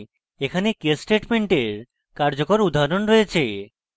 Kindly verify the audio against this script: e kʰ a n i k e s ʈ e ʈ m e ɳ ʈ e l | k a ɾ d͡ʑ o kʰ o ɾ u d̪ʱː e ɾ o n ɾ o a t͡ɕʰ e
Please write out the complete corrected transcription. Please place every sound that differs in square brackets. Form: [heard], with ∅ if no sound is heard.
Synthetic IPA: e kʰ a n [e] k e s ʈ e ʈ m e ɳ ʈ e [ɾ] | k a ɾ d͡ʑ o [k] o ɾ u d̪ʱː [a] ɾ o n ɾ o [e] t͡ɕʰ e